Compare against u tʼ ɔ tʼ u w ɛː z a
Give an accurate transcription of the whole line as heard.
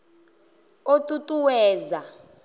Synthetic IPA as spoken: o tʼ u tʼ u w ɛː z a

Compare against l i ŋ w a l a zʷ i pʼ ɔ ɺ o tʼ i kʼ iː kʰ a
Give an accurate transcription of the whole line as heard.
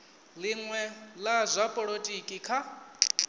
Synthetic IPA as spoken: l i ŋ w ɛ l a zʷ a pʼ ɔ ɺ o tʼ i kʼ i kʰ a

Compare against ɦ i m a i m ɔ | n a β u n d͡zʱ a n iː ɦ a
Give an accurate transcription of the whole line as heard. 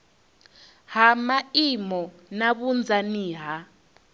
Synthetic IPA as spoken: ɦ a m a i m ɔ | n a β u n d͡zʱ a n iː ɦ a

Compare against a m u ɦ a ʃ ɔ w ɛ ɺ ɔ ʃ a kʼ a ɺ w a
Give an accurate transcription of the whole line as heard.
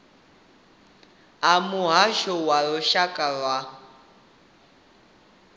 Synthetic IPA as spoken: a m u ɦ a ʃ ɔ w a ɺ ɔ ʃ a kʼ a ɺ w a

